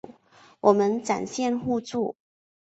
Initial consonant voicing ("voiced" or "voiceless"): voiced